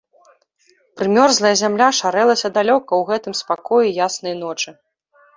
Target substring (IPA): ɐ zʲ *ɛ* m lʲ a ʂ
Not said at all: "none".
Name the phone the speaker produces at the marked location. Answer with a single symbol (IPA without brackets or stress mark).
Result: a